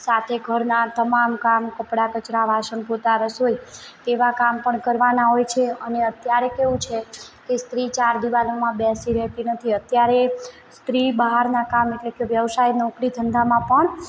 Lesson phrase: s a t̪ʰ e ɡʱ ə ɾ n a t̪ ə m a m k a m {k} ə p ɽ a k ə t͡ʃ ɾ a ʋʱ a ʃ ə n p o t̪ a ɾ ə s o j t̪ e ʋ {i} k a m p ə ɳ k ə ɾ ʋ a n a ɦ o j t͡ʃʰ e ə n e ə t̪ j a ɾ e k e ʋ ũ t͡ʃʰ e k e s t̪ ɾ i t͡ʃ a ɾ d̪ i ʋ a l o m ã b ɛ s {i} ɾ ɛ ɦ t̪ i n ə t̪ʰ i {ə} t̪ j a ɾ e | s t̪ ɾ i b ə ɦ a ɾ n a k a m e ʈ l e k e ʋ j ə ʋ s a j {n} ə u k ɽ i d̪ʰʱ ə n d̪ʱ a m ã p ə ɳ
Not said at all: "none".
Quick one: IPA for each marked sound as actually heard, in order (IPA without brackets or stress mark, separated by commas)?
k, a, i, ə, n